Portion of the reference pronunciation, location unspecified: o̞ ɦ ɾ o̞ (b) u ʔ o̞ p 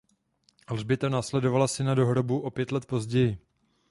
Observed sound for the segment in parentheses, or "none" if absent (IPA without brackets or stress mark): b